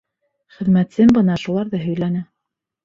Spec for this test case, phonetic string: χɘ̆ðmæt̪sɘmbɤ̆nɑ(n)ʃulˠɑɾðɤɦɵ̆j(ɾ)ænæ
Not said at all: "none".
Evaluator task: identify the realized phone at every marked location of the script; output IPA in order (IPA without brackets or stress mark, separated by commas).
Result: none, l